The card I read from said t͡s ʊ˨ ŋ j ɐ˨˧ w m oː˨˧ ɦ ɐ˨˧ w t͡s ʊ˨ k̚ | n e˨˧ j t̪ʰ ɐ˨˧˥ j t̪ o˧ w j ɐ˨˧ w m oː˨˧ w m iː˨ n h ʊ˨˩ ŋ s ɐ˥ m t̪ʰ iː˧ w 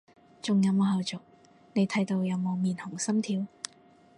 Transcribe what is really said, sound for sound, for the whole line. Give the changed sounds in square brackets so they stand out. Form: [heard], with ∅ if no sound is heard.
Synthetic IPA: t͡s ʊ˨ ŋ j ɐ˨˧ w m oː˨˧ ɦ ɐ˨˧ w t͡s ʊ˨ k̚ | n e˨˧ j t̪ʰ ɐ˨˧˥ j t̪ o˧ w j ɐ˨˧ w m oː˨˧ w m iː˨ n h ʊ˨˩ ŋ s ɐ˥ m t̪ʰ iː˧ w